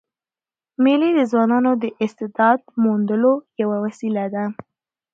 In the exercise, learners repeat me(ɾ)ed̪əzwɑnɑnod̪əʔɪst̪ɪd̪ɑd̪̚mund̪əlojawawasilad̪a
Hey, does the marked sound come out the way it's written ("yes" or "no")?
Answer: no